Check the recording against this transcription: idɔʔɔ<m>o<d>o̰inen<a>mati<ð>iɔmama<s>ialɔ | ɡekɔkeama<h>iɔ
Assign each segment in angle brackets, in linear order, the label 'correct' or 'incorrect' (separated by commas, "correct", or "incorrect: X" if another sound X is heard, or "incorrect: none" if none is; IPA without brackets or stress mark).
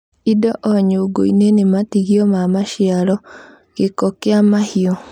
incorrect: ɲ, incorrect: ɡ, incorrect: e, incorrect: ɣ, incorrect: ʃ, correct